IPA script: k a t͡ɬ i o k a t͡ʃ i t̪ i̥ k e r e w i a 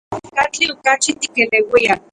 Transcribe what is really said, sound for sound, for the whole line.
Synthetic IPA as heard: k a t͡ɬ i o k a t͡ʃ i t̪ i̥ k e l e w i a